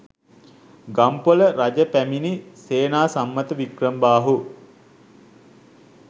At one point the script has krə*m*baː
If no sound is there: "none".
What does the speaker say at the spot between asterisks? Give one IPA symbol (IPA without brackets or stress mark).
m